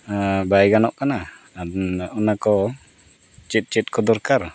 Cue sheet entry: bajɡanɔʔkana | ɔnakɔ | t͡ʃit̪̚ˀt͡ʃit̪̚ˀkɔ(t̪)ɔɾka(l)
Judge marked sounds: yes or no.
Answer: no, no

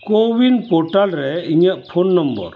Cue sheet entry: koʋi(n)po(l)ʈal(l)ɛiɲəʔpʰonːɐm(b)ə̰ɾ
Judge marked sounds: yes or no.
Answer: yes, no, no, yes

